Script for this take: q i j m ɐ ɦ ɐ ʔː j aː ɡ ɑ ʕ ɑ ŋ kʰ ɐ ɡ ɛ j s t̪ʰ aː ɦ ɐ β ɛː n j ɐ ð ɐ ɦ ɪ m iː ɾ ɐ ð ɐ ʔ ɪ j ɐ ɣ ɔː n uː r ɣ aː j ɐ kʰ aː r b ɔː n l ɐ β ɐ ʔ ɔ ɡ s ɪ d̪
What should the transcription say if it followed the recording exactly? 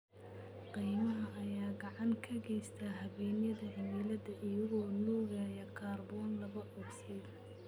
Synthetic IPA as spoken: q i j m ɐ ɦ ɐ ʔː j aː ɡ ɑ ʕ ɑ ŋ kʰ ɐ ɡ ɛ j s t̪ʰ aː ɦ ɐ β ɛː n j ɐ ð ɐ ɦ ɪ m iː l ɐ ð ɐ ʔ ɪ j ɐ ɣ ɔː n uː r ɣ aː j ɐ kʰ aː r b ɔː n l ɐ β ɐ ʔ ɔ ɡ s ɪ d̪